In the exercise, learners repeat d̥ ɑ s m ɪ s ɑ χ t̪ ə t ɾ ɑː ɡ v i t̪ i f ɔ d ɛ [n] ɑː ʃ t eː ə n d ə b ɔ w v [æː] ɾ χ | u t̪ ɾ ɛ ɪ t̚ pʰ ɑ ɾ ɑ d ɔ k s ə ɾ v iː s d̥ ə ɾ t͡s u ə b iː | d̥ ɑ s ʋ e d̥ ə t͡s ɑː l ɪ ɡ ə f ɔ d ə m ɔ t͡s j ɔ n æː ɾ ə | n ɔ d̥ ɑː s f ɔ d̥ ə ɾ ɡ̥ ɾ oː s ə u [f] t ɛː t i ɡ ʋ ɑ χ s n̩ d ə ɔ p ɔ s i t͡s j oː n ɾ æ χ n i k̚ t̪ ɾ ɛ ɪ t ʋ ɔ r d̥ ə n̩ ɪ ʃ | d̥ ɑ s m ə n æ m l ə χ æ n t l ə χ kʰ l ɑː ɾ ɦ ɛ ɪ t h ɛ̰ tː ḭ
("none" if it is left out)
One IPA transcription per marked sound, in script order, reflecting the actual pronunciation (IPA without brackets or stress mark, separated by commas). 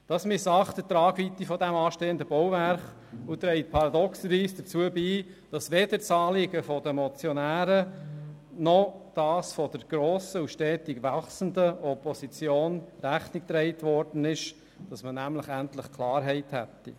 m, æ, ʃ